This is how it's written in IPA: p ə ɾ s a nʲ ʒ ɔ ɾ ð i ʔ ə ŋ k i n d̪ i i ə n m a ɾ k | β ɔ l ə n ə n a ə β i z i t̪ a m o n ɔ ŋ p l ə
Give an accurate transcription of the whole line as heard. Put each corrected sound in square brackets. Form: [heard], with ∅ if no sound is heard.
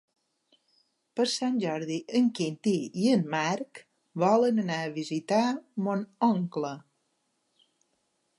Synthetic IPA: p ə ɾ s a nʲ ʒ ɔ ɾ ð i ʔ ə ŋ k i n [t̪] i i ə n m a ɾ k | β ɔ l ə n ə n a ə β i z i t̪ a m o n ɔ ŋ [k] l ə